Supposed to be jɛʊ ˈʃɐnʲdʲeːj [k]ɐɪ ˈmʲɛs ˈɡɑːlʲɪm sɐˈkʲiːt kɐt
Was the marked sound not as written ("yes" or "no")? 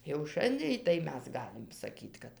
yes